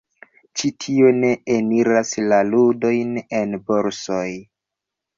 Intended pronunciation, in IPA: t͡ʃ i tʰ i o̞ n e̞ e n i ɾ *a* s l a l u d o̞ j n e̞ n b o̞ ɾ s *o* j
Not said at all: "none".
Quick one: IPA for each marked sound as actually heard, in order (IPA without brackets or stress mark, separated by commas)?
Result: a, o